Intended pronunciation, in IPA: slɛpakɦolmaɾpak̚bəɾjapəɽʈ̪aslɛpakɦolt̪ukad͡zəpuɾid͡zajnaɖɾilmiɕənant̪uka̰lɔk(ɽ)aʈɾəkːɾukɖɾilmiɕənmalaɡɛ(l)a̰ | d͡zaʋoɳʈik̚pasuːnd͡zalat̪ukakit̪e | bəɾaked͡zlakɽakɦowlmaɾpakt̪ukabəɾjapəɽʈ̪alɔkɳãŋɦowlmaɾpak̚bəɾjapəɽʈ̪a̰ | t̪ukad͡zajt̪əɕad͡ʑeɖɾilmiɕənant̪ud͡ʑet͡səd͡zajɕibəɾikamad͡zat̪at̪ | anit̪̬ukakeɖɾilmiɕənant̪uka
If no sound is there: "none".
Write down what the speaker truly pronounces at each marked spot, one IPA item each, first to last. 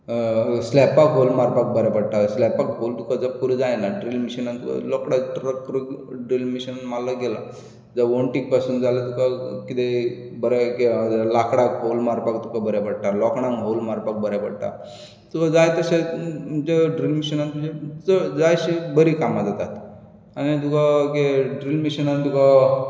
ɽ, l

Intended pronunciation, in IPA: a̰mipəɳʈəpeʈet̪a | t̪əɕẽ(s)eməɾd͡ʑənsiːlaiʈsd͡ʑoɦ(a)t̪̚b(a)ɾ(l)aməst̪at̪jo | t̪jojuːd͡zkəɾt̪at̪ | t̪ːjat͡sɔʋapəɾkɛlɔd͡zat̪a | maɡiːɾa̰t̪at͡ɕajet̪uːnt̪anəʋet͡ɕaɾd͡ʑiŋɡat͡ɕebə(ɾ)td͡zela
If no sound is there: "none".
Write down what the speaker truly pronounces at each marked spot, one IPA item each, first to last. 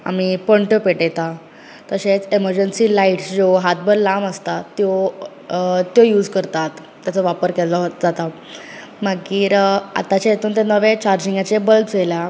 t͡s, a, ə, l, l

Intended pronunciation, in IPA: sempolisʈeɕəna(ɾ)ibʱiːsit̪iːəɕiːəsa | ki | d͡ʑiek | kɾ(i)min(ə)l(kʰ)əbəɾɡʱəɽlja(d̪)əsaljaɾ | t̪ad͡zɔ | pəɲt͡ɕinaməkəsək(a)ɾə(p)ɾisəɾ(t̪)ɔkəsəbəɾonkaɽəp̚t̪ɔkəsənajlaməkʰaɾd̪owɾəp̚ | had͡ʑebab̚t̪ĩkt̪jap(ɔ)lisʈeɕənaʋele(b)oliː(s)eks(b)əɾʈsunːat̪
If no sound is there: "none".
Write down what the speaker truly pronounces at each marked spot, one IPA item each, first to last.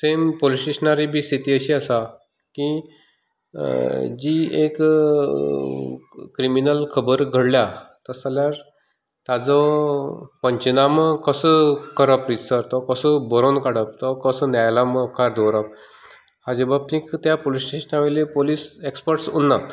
ɾ, i, ə, kʰ, t̪, ə, p, t̪, o, p, s, p

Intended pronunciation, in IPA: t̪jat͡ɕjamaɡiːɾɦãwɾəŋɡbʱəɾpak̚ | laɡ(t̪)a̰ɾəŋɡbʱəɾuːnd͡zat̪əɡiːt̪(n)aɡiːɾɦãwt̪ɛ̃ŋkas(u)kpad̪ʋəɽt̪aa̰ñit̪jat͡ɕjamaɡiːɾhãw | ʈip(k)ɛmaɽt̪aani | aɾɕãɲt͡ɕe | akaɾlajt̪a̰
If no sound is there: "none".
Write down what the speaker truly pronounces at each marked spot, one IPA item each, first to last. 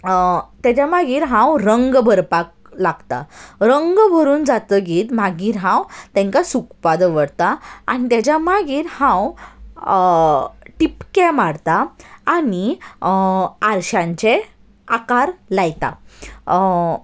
t̪, m, u, k

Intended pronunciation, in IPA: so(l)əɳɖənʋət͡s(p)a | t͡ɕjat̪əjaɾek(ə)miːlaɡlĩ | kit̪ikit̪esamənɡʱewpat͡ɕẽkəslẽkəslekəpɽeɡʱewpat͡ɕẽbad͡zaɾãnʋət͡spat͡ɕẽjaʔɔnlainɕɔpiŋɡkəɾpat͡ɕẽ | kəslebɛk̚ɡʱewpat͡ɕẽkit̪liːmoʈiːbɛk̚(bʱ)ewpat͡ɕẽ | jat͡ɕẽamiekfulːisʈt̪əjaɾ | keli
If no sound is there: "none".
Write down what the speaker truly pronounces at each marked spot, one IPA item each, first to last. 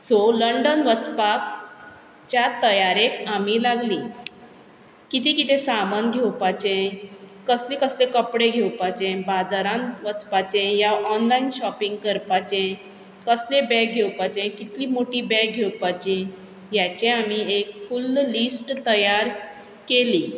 l, p, a, ɡʱ

